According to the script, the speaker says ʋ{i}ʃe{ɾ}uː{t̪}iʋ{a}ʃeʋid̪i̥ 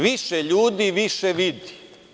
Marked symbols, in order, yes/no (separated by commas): yes, no, no, no